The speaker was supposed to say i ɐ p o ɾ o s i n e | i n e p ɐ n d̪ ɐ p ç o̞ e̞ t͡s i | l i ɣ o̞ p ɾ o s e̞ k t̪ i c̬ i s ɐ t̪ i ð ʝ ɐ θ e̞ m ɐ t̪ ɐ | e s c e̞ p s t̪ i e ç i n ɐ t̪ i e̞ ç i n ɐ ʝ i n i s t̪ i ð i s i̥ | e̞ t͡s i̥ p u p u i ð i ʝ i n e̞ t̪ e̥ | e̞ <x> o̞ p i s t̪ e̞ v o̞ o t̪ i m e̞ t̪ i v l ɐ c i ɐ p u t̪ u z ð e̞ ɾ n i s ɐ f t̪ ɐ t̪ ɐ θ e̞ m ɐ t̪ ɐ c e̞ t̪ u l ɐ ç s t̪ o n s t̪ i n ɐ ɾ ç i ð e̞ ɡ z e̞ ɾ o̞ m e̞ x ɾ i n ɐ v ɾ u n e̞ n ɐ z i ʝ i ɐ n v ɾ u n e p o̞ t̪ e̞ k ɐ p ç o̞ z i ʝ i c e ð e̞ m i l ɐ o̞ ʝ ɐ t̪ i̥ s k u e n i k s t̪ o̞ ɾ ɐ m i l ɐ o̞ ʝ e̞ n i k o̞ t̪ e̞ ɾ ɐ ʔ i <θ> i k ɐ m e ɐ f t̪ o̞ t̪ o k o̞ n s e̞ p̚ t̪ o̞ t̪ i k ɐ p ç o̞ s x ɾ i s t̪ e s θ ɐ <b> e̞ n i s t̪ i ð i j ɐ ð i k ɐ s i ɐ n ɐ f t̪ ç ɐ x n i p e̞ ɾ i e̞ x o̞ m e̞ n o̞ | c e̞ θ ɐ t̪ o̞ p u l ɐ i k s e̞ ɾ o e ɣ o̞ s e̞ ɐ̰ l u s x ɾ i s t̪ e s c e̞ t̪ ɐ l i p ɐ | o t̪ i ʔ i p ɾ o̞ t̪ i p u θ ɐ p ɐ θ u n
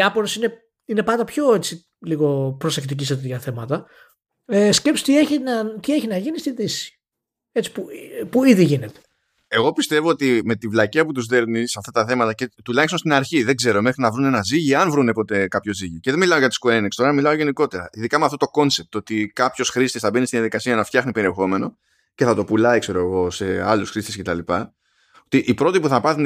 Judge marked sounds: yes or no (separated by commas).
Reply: no, no, yes